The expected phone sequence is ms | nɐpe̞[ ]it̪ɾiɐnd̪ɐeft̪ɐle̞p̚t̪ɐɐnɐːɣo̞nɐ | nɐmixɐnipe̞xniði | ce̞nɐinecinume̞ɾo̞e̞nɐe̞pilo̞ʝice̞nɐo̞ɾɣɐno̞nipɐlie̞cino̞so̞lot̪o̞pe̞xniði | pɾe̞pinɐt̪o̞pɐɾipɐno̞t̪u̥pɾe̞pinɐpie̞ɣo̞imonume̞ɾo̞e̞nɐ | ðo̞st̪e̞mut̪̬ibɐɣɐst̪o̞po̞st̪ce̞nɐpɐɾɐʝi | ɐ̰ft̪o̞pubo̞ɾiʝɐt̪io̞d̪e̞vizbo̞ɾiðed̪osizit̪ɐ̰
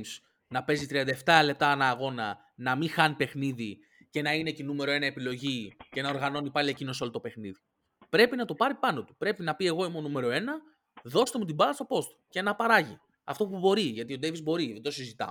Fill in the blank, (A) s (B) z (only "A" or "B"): B